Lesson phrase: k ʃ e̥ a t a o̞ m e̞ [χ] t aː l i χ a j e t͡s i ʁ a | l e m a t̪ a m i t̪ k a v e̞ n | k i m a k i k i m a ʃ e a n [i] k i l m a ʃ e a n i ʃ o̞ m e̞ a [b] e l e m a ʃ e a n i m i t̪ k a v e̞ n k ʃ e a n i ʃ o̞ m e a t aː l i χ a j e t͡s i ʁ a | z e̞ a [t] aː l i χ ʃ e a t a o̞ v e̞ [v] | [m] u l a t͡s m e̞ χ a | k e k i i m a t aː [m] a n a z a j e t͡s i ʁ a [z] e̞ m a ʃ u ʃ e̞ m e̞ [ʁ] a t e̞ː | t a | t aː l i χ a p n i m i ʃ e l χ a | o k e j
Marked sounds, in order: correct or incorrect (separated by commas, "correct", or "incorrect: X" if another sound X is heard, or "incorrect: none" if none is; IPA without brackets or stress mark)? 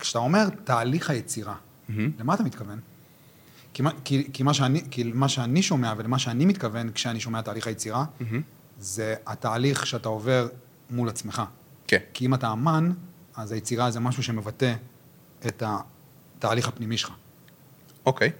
incorrect: ʁ, correct, incorrect: v, correct, incorrect: ʁ, correct, correct, correct, incorrect: v